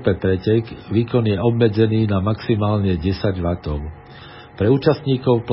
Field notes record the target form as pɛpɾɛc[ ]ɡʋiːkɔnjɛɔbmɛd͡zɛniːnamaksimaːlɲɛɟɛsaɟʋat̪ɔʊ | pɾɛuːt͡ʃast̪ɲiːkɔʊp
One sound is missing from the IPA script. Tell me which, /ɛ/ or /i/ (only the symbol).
ɛ